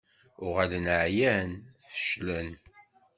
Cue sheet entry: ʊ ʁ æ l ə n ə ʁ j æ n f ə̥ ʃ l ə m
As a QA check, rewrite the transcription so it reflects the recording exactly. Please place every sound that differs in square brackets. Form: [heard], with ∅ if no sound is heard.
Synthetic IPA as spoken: ʊ ʁ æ l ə n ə [ʕ] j æ n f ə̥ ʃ l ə [n]